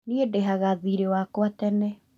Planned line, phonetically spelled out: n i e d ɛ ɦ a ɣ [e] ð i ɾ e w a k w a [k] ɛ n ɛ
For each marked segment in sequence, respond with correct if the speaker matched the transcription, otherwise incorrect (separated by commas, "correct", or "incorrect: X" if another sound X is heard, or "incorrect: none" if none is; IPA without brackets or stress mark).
incorrect: a, incorrect: t